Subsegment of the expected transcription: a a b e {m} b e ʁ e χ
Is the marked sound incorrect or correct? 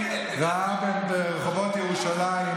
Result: incorrect